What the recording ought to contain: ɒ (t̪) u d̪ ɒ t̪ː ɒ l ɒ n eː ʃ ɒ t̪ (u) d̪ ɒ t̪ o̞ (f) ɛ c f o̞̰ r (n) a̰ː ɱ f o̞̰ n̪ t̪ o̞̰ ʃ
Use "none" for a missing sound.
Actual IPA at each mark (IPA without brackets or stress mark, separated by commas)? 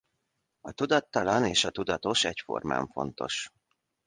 t̪, u, ʃ, m